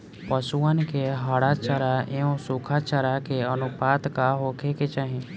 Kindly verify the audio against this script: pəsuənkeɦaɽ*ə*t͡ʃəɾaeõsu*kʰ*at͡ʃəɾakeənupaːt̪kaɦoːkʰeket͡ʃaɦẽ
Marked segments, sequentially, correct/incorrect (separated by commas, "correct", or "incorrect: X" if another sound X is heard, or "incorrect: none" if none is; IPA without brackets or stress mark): incorrect: a, correct